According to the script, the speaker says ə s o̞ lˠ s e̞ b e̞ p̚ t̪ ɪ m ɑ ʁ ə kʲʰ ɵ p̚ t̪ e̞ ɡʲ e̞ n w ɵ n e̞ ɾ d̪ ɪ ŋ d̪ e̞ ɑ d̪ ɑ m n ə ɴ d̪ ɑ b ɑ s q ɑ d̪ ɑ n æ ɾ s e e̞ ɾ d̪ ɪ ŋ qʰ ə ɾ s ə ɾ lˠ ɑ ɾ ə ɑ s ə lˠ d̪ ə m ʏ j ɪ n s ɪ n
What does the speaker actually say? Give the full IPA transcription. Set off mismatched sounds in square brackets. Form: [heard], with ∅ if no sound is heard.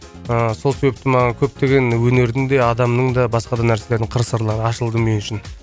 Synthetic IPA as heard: ə s o̞ lˠ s e̞ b e̞ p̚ t̪ ɪ m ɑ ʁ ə kʲʰ ɵ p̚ t̪ e̞ ɡʲ e̞ n w ɵ n e̞ ɾ d̪ ɪ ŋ d̪ e̞ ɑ d̪ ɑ m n ə ɴ d̪ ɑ b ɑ s q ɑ d̪ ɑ n æ ɾ s e e̞ ɾ d̪ ɪ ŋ qʰ ə ɾ s ə ɾ lˠ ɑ ɾ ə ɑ [ʃ] ə lˠ d̪ ə m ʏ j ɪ n [ʃ] ɪ n